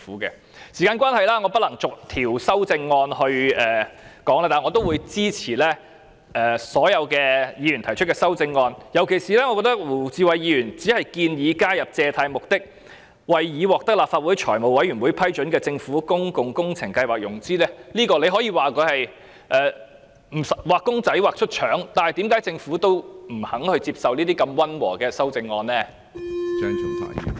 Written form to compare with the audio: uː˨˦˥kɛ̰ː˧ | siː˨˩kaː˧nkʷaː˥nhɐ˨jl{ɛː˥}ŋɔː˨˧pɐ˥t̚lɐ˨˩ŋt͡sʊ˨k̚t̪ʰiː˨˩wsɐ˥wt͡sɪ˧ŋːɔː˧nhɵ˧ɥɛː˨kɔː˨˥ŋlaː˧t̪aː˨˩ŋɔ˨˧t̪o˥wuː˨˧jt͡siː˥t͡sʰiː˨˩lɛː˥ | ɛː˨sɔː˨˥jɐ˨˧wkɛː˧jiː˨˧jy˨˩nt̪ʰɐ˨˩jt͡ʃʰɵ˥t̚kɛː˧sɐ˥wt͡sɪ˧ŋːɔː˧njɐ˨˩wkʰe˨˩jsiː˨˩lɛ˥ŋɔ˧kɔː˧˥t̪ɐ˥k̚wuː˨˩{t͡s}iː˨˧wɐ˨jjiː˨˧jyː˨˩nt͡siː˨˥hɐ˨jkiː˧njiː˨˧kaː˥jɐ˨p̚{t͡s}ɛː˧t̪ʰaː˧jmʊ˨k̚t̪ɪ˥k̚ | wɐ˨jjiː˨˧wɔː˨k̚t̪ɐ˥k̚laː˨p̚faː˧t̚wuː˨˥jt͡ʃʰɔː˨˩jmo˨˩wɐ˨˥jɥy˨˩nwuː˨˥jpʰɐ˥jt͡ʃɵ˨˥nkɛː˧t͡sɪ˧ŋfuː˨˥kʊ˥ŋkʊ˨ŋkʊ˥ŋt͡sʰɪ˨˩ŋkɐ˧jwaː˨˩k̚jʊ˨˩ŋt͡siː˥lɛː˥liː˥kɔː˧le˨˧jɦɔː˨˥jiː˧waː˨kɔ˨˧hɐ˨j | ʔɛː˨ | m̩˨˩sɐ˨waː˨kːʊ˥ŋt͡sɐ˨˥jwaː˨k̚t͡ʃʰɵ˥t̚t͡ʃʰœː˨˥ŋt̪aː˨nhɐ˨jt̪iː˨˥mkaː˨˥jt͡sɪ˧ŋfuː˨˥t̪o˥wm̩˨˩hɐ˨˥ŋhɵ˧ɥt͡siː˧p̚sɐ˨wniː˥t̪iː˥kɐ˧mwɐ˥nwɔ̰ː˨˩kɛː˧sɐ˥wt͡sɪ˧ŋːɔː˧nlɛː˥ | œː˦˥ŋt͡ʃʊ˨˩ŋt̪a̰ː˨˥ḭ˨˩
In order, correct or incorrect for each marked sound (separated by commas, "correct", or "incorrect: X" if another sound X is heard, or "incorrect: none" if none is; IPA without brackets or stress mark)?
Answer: incorrect: aː˥, correct, correct